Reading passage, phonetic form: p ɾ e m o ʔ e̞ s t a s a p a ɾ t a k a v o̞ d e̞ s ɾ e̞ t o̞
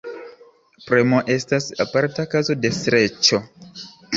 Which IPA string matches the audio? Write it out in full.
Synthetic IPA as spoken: p ɾ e m o ʔ e̞ s t a s a p a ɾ t a k a z o̞ d e̞ s ɾ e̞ t͡ʃ o̞